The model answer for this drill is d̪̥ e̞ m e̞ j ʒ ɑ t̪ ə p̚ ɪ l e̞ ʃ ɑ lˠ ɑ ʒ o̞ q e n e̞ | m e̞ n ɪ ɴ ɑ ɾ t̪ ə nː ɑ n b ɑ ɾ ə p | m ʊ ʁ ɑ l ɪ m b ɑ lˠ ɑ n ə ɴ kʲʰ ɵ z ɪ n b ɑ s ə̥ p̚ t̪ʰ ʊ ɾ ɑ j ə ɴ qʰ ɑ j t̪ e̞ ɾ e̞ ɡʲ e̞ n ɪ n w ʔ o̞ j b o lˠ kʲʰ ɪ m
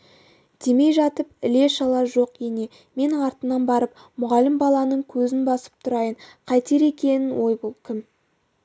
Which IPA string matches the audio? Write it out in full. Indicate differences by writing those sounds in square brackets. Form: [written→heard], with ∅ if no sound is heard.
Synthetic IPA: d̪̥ e̞ m e̞ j ʒ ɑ t̪ ə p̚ ɪ l e̞ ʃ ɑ lˠ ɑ ʒ o̞ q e n e̞ | m e̞ n ɪ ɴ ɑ ɾ t̪ ə [nː→n] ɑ n b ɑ ɾ ə p | m ʊ ʁ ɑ l ɪ m b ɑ lˠ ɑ n ə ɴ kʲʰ ɵ z ɪ n b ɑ s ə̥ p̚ t̪ʰ ʊ ɾ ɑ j ə ɴ qʰ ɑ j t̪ e̞ ɾ e̞ [ɡʲ→kʲ] e̞ n ɪ n w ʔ o̞ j b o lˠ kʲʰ ɪ m